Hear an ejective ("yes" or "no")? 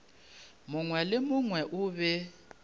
no